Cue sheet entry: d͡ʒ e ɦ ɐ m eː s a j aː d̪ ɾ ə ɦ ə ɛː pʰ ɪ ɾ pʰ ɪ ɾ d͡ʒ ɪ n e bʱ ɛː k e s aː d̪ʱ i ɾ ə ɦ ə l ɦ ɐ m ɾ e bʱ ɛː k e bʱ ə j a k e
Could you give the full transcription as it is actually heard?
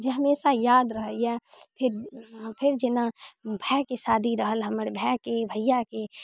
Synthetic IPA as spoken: d͡ʒ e ɦ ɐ m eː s a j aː d̪ ɾ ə ɦ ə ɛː pʰ ɪ ɾ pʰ ɪ ɾ d͡ʒ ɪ n a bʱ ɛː k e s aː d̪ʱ i ɾ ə ɦ ə l ɦ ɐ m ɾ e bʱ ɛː k e bʱ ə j a k e